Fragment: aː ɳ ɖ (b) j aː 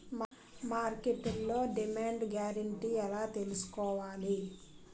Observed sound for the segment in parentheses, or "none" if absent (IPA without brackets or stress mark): ɡ